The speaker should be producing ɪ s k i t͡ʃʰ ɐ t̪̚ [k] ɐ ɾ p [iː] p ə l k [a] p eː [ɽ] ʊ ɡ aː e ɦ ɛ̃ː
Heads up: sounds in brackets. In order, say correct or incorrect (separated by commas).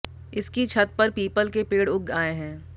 incorrect, correct, incorrect, correct